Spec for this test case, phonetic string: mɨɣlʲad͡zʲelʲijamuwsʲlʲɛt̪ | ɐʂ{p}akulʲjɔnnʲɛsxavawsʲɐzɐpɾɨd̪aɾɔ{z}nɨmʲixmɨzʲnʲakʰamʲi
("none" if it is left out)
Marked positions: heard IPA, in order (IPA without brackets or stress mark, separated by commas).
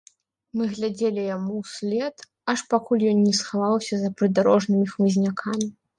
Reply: p, ʐ